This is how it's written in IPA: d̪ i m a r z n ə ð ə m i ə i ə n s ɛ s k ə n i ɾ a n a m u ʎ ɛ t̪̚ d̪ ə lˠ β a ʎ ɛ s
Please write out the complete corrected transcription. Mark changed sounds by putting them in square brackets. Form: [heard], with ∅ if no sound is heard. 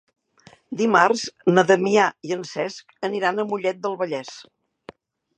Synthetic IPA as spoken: d̪ i m a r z n ə ð ə m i [a] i ə n s ɛ s k ə n i ɾ a n [ə] m u ʎ ɛ t̪̚ d̪ ə lˠ β [ə] ʎ ɛ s